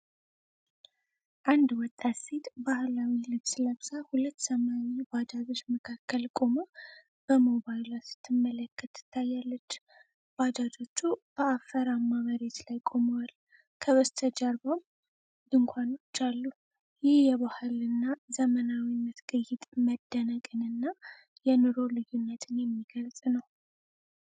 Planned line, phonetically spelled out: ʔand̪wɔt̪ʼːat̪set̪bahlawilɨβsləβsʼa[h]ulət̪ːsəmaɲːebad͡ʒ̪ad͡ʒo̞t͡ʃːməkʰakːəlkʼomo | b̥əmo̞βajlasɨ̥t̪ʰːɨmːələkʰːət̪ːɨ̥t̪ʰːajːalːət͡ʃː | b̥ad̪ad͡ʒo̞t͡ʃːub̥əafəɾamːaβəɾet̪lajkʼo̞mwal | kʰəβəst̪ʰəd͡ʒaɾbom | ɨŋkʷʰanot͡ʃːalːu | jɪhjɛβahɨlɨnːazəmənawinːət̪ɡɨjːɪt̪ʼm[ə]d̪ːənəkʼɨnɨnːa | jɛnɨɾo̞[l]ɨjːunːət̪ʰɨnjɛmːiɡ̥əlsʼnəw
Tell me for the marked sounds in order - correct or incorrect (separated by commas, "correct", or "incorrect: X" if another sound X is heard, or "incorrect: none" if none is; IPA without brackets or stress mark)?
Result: correct, correct, correct